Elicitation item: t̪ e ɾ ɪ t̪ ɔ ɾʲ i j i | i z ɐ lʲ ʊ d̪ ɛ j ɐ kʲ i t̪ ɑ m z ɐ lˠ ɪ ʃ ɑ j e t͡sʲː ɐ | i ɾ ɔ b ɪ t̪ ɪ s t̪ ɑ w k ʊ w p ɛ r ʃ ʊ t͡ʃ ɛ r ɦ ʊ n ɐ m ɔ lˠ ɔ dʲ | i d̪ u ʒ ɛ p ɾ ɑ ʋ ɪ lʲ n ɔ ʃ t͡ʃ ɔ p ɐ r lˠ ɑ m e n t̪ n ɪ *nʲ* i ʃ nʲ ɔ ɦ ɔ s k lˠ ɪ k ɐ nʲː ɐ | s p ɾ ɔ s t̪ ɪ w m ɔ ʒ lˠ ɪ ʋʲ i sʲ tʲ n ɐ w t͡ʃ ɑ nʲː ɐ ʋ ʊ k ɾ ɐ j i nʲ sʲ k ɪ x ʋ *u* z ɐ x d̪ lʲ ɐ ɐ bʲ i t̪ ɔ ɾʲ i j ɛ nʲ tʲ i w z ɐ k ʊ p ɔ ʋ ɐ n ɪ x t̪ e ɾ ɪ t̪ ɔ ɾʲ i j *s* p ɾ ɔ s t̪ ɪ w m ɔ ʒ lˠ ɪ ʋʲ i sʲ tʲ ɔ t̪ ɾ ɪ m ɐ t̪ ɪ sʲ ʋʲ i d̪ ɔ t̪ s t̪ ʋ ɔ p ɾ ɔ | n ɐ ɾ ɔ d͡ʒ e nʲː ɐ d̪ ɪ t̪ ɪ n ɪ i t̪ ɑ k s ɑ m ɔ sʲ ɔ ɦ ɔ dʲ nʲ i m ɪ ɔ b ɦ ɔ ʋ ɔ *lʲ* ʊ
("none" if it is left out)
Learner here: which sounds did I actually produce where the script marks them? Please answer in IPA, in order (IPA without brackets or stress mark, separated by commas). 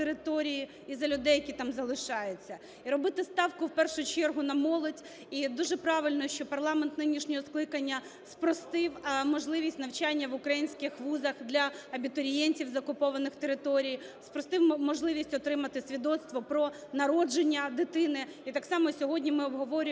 nʲ, u, s, ɾʲ